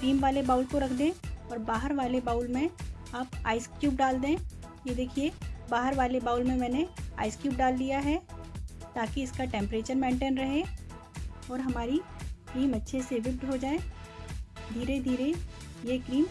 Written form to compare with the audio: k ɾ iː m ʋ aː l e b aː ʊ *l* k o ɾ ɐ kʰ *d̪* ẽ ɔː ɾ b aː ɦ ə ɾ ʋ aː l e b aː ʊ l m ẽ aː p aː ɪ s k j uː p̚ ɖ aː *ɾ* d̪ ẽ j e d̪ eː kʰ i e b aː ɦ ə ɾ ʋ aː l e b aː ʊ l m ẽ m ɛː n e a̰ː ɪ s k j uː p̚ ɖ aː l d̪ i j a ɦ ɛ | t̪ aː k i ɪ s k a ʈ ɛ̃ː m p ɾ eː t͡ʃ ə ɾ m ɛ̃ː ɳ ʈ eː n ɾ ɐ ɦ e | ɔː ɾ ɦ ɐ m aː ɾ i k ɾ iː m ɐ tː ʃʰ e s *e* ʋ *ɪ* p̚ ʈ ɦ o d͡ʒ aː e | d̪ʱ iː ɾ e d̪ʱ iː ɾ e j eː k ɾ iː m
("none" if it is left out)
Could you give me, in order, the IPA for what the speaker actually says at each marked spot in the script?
l, d̪, l, e, ɪ

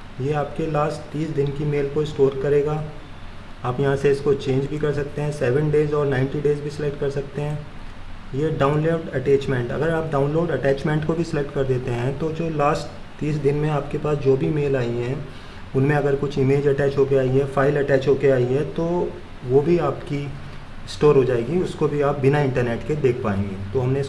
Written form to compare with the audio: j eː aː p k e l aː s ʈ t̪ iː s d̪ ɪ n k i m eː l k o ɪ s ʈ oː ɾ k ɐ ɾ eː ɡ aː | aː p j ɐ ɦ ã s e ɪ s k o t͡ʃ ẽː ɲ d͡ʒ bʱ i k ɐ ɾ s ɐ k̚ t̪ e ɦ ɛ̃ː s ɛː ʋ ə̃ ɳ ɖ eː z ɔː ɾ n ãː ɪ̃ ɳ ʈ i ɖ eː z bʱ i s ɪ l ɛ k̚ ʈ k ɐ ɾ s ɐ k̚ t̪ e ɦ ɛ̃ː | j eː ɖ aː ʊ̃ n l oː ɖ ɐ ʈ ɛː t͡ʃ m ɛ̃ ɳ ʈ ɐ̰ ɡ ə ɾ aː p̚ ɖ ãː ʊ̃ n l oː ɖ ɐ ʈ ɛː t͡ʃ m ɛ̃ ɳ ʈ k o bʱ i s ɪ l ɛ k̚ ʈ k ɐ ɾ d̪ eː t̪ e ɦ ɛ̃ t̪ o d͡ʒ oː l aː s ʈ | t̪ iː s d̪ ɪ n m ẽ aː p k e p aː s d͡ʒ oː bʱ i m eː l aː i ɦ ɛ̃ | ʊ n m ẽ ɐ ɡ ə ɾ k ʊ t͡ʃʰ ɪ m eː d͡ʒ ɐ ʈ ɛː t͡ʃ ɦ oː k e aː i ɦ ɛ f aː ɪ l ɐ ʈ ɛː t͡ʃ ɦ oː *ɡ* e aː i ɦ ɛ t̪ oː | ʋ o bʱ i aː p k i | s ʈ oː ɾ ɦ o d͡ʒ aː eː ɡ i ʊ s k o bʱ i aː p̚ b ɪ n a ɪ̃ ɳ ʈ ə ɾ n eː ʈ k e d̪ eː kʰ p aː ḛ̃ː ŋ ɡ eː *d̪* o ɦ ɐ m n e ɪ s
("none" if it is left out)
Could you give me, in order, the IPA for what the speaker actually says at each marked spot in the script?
k, t̪

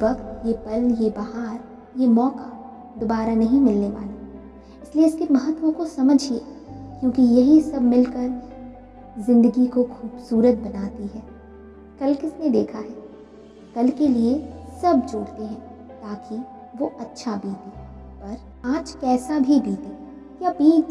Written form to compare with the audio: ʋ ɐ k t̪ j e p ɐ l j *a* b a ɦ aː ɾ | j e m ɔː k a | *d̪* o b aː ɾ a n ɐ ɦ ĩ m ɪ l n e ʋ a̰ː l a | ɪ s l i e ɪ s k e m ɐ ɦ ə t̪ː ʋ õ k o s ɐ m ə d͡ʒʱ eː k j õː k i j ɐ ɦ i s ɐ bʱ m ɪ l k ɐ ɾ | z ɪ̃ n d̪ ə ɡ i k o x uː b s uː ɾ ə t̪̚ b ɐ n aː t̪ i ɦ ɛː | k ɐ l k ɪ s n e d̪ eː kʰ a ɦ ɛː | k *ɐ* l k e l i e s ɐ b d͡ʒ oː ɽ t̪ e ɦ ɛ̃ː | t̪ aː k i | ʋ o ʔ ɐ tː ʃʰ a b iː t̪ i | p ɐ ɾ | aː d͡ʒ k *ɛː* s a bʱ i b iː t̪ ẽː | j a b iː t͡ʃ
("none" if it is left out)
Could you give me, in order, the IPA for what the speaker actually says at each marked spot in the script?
e, d̪, ɐ, ɛː

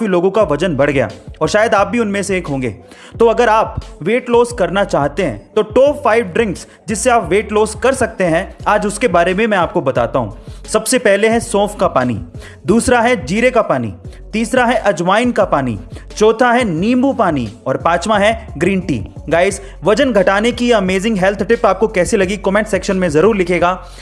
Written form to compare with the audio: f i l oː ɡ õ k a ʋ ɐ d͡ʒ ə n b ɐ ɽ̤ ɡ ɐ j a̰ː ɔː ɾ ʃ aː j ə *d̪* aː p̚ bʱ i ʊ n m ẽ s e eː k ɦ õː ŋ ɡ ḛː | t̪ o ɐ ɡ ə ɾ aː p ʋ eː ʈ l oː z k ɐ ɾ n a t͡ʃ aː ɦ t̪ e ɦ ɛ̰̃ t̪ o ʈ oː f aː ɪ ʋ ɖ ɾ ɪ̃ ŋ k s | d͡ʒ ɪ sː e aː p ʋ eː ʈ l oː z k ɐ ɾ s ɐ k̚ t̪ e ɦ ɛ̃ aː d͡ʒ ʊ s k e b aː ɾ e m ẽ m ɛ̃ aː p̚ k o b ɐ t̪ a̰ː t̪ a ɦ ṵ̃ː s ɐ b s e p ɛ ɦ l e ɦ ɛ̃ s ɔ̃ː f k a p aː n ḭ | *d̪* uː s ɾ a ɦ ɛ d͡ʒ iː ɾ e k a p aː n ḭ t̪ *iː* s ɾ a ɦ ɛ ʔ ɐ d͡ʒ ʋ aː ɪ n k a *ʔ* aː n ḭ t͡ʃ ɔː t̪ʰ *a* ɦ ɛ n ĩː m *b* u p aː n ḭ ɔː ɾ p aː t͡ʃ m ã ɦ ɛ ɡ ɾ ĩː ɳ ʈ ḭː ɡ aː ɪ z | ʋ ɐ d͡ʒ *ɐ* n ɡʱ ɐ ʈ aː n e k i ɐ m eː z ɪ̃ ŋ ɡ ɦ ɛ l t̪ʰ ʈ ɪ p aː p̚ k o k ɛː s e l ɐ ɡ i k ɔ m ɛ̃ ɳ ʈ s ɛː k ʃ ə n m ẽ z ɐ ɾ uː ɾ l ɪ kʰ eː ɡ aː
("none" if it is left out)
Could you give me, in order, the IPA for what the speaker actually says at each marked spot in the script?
d̪, d̪, iː, p, a, b, ə

